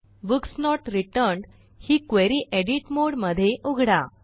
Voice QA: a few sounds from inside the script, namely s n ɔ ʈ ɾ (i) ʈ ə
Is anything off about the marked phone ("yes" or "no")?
no